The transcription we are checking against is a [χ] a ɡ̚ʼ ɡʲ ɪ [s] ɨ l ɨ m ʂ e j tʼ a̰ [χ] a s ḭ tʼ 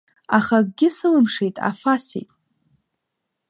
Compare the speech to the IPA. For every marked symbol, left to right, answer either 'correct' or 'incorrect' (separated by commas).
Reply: correct, correct, incorrect